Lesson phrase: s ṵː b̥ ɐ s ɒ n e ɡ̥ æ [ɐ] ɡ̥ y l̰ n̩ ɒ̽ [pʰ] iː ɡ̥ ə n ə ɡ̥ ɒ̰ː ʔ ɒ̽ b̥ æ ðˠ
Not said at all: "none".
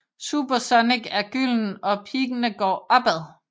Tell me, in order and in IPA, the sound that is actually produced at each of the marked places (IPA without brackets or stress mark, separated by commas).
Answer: ɐ, pʰ